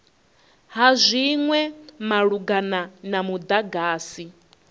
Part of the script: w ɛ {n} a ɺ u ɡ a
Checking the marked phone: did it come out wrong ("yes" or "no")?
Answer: yes